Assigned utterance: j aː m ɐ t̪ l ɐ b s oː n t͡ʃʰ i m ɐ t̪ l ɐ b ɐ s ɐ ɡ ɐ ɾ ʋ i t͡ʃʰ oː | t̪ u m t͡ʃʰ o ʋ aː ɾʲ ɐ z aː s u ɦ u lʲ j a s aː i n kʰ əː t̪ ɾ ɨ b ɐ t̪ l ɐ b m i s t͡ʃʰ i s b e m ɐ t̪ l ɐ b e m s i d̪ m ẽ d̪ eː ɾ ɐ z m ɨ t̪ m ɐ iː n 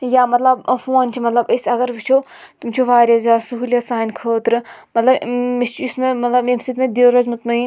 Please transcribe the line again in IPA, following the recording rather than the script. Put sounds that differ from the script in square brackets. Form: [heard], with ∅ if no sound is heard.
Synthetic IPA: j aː m ɐ t̪ l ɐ b [f] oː n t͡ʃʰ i m ɐ t̪ l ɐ b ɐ s ɐ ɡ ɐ ɾ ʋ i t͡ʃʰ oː | t̪ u m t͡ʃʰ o ʋ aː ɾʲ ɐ z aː s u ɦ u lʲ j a s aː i n kʰ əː t̪ ɾ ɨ [m] ɐ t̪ l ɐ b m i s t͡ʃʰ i s [m] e m ɐ t̪ l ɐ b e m s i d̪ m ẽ d̪ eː ɾ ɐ z m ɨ t̪ m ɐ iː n